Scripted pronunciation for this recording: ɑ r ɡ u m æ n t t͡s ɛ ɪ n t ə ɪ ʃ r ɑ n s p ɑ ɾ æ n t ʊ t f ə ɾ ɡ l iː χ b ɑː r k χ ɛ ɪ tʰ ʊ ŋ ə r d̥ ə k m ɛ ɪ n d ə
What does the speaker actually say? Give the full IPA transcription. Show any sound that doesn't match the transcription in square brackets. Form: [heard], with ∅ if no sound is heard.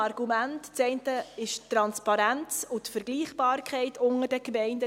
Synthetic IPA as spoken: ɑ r ɡ u m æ n t t͡s ɛ ɪ n t ə ɪ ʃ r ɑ n s p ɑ ɾ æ n [t͡s] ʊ t f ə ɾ ɡ l iː χ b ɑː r k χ ɛ ɪ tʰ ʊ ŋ ə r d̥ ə k m ɛ ɪ n d ə